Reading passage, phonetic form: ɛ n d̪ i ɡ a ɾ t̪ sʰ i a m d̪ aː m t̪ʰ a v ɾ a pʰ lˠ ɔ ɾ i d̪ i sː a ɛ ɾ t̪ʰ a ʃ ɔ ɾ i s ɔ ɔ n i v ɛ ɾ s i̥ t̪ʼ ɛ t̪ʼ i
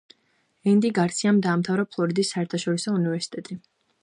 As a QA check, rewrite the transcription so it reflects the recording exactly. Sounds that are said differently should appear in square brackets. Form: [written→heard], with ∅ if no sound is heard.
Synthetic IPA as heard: ɛ n d̪ i ɡ a ɾ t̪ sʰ i a m d̪ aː m t̪ʰ a v ɾ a pʰ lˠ ɔ ɾ i d̪ i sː a ɛ ɾ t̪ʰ a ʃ ɔ ɾ i s ɔ [ɔ→u] n i v ɛ ɾ s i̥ t̪ʼ ɛ t̪ʼ i